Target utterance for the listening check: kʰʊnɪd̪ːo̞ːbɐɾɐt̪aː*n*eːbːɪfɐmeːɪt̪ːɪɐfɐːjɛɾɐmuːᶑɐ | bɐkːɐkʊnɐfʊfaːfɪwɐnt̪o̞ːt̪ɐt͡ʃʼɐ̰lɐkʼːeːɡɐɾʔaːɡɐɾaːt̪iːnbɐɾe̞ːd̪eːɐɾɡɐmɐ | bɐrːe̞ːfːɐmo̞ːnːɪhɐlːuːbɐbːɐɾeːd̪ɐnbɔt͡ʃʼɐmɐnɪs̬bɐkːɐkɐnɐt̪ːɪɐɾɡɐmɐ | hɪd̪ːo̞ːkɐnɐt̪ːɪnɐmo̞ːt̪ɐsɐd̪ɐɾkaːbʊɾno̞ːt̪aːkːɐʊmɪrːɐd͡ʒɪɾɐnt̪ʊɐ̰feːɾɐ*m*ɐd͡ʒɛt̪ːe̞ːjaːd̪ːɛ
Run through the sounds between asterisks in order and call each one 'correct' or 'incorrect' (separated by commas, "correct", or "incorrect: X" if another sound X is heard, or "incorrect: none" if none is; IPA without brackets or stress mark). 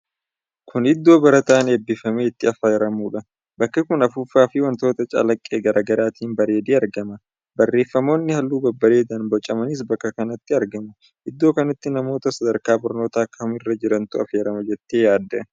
correct, correct